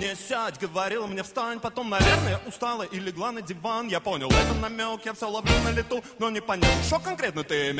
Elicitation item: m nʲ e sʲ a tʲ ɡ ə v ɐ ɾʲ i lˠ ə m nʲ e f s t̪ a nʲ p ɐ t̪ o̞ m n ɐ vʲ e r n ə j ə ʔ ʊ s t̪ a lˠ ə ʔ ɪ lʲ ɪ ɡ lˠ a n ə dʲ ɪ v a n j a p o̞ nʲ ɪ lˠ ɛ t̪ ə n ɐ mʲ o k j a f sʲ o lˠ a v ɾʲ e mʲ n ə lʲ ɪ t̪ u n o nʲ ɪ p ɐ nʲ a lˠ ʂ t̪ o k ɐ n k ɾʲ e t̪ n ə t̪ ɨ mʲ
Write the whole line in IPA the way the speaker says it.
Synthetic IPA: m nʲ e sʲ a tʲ ɡ ə v ɐ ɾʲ i lˠ ə m nʲ e f s t̪ a nʲ p ɐ t̪ o̞ m n ɐ vʲ e r n ə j ə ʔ ʊ s t̪ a lˠ ə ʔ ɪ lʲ ɪ ɡ lˠ a n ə dʲ ɪ v a n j a p o̞ nʲ ɪ lˠ ɛ t̪ ə n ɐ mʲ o k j a f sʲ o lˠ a v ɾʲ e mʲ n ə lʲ ɪ t̪ u n o nʲ ɪ p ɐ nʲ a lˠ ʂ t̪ o k ɐ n k ɾʲ e t̪ n ə t̪ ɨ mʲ